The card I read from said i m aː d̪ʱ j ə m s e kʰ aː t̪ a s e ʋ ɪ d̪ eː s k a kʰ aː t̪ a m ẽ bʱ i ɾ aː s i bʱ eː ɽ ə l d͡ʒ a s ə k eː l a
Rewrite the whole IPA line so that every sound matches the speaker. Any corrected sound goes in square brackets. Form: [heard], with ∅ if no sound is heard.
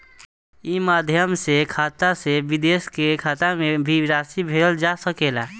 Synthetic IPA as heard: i m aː d̪ʱ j ə m s e kʰ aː t̪ a s e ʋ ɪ d̪ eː s k [e] kʰ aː t̪ a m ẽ bʱ i ɾ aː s i bʱ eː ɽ ə l d͡ʒ a s ə k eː l a